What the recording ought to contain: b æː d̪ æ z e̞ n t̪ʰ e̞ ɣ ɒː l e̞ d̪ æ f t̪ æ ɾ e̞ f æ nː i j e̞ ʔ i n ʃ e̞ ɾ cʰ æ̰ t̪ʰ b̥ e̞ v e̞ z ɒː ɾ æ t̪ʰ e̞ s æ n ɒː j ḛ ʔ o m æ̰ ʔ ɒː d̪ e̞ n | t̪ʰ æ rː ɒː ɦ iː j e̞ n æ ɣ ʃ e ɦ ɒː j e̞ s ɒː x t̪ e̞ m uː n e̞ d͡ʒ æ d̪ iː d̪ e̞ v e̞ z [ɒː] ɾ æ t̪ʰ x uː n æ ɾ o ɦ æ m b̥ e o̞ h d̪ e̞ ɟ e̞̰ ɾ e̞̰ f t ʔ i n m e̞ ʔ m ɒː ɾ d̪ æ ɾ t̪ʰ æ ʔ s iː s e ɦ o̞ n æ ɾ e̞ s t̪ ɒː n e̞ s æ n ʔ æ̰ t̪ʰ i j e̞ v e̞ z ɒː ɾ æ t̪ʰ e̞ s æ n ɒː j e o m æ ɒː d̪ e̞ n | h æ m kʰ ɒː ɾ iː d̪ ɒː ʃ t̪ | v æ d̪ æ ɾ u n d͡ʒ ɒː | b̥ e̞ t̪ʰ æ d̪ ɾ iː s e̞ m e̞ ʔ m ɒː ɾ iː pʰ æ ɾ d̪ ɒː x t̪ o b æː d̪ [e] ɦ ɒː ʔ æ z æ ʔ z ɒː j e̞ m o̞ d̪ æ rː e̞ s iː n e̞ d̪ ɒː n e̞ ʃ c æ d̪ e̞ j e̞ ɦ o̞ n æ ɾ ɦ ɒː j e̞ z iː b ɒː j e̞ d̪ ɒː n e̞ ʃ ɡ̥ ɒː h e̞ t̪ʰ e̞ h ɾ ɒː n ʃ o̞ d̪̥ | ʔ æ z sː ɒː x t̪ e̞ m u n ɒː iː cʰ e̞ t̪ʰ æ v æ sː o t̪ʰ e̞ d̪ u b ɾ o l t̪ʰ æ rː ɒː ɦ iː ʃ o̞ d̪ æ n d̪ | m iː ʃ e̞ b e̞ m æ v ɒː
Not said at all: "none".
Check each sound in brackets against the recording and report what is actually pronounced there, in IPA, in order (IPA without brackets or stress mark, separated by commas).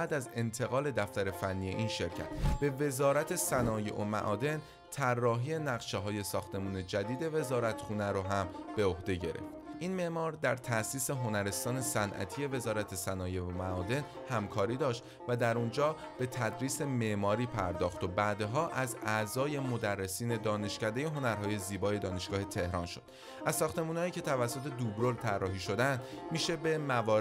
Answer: ɒː, e